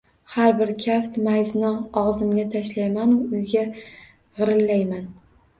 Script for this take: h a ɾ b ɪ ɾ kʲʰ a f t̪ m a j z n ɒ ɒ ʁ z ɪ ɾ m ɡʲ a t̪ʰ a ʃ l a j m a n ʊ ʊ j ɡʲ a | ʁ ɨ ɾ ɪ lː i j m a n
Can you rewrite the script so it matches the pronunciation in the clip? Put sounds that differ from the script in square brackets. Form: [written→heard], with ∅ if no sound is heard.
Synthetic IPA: h a ɾ b ɪ ɾ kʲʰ a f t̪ m a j z n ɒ ɒ ʁ z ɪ [ɾ→∅] m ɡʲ a t̪ʰ a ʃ l a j m a n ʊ ʊ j ɡʲ a | ʁ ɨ ɾ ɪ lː [i→a] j m a n

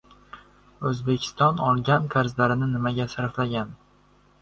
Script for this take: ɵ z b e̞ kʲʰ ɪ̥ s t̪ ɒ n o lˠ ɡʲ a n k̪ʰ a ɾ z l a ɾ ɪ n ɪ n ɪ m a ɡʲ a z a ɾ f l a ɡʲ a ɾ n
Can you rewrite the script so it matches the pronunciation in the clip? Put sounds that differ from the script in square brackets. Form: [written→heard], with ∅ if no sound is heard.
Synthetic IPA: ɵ z b e̞ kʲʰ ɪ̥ s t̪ ɒ n [o→ɒ] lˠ ɡʲ a n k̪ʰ a ɾ z l a ɾ ɪ n ɪ n ɪ m a ɡʲ a [z→s] a ɾ f l a ɡʲ a [ɾ→∅] n

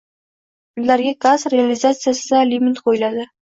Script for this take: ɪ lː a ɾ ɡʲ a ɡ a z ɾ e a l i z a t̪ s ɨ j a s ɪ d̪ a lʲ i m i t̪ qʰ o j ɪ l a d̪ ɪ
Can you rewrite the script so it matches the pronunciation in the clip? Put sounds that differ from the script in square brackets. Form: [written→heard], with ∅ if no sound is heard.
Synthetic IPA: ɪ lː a ɾ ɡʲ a ɡ a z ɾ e a l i z a t̪ s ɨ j a s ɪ d̪ a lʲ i m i t̪ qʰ o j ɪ l a d̪ ɪ

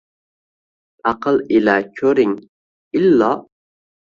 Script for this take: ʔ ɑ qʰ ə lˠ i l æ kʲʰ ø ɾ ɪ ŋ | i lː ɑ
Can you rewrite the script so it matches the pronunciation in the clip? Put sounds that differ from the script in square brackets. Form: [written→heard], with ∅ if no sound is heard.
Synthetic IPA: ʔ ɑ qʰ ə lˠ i l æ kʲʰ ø ɾ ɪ ŋ | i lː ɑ

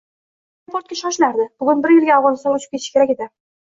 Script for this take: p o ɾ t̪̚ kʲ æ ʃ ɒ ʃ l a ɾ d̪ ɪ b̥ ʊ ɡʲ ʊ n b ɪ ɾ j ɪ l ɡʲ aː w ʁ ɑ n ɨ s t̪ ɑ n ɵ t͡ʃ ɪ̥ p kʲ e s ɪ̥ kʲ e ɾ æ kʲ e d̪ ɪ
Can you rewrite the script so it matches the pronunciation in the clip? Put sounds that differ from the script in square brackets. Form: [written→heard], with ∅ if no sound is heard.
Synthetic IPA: p o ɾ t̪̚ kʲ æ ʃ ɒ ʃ l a ɾ d̪ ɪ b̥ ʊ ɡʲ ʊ n b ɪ ɾ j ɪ l ɡʲ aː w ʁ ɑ n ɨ s t̪ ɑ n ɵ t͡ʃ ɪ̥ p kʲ e [s→ʃ] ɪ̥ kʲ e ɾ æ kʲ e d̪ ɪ

